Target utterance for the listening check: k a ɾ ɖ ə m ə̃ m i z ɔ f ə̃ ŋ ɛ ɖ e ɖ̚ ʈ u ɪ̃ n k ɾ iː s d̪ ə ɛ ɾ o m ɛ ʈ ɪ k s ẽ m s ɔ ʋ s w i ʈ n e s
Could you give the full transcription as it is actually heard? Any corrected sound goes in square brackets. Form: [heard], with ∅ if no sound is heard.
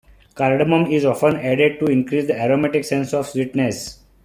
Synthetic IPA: k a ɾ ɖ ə m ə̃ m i z ɔ f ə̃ [n] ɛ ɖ e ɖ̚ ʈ u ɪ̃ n k ɾ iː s d̪ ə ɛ ɾ o m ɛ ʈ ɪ k s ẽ [n] s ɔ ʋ s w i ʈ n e s